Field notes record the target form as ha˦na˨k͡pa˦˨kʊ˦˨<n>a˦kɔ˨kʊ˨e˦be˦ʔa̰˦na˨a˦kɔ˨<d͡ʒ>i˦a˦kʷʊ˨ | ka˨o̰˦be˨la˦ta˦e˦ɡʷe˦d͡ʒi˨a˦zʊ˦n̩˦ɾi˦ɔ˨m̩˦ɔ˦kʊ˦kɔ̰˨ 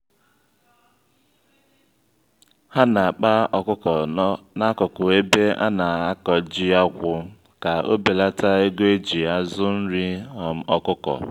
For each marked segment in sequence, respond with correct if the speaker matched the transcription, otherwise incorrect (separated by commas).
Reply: correct, correct